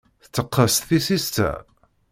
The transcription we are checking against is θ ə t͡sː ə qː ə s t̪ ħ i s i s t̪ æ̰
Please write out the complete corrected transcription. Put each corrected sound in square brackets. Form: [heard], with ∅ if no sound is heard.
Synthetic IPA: θ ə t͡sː ə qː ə s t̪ [θ] i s i s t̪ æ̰